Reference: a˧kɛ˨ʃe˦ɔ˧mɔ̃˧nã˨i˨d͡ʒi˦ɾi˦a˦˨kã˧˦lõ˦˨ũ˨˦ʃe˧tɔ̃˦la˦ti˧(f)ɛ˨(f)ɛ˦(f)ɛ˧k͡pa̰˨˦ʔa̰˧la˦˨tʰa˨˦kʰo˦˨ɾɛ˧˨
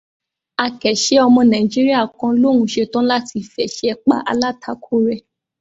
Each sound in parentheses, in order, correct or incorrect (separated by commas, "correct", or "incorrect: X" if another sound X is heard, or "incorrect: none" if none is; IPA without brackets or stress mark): correct, incorrect: ʃ, incorrect: none